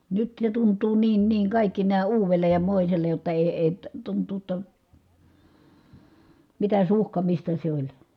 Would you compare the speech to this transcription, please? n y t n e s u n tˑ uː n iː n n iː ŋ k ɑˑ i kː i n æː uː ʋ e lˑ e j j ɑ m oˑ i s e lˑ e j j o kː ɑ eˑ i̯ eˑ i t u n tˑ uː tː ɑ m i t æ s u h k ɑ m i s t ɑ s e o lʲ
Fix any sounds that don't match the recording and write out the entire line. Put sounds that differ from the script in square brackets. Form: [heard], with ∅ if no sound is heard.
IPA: n y t n e [t] u n tˑ uː n iː n n iː ŋ k ɑˑ i kː i n æː uː ʋ e lˑ e j j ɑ m oˑ i s e lˑ e j j o [tː] ɑ eˑ i̯ eˑ i t u n tˑ uː tː ɑ m i t æ s u h k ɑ m i s t ɑ s e o lʲ